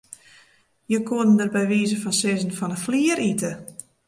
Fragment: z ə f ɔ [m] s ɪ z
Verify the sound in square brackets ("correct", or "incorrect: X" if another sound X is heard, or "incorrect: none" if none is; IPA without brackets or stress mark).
incorrect: n